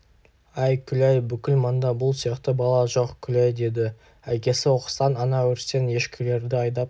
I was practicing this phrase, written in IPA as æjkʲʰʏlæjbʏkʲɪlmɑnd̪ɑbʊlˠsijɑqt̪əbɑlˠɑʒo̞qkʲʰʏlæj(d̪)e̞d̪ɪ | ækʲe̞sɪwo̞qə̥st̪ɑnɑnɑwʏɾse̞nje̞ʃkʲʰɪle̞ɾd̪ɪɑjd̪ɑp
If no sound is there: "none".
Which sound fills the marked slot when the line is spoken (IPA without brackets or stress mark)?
d̪